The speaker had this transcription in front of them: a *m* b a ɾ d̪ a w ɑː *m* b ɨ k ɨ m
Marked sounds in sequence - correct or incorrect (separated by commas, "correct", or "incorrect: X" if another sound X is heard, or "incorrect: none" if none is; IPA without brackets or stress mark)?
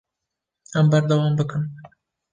correct, correct